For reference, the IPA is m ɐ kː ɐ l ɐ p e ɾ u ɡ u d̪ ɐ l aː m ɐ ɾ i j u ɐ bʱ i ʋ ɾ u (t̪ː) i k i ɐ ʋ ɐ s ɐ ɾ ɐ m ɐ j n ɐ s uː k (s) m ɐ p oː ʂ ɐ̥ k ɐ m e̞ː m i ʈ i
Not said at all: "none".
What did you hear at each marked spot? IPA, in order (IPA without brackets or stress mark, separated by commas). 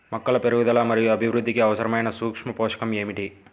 d̪ː, ʂ